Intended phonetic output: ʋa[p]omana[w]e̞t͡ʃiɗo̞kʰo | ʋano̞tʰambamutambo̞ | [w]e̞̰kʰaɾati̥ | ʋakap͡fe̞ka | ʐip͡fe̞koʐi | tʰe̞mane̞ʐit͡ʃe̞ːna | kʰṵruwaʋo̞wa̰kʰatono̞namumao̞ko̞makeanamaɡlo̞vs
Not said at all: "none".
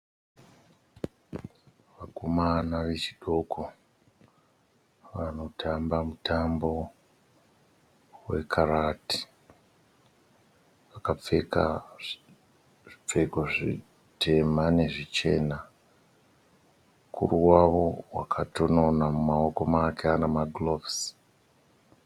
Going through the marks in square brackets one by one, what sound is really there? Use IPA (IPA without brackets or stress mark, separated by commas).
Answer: k, ʋ, w